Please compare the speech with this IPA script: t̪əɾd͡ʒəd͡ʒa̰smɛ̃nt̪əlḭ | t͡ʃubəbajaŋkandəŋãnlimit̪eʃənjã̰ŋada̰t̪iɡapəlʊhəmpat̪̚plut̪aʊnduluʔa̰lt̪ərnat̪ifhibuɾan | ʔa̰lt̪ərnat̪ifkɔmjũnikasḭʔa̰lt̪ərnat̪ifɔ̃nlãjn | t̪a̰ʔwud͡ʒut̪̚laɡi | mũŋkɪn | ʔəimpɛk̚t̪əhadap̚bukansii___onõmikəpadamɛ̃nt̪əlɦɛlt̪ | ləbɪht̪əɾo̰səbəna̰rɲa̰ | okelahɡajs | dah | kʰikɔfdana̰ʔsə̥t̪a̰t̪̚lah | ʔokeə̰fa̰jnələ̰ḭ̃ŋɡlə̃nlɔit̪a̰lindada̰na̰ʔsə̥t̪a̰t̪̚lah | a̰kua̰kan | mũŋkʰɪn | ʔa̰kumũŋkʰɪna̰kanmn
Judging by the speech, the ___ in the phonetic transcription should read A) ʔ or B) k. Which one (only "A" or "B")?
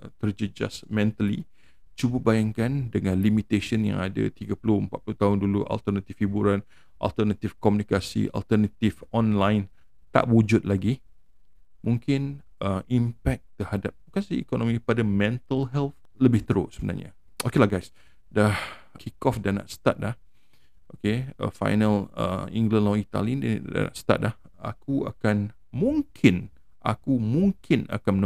B